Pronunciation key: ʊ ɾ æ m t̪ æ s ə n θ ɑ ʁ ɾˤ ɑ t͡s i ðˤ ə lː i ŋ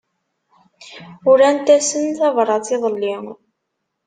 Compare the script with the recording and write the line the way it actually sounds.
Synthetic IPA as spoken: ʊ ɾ æ n t̪ æ s ə n θ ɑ v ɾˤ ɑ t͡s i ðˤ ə lː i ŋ